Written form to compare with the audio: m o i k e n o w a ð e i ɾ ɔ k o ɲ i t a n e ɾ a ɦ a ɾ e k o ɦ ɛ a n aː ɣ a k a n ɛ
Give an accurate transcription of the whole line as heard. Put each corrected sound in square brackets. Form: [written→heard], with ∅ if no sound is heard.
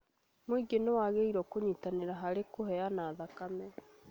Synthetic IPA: m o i [k→ɡ] e n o w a [ð→ɣ] e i ɾ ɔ k o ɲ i t a n e ɾ a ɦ a ɾ e k o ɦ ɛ a n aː [ɣ→ð] a k a [n→m] ɛ